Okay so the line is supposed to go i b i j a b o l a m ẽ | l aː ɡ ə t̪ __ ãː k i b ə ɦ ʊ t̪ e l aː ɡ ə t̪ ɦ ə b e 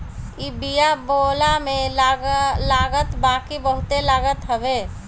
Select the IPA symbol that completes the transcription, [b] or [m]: b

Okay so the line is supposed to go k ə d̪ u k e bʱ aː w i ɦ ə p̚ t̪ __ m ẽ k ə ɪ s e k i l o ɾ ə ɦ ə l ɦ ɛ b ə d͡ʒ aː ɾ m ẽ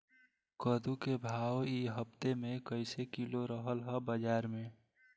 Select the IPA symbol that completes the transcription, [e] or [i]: e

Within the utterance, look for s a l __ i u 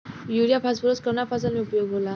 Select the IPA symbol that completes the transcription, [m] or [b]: m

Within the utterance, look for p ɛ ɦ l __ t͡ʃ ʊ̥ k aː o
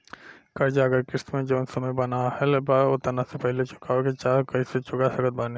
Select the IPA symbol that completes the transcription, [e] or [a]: e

